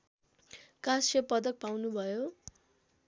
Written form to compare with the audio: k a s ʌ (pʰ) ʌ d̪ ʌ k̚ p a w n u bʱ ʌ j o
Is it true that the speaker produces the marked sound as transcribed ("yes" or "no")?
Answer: no